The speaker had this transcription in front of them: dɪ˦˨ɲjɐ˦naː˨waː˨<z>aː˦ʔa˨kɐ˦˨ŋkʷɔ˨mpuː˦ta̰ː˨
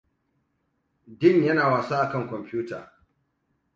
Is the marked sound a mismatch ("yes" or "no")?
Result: yes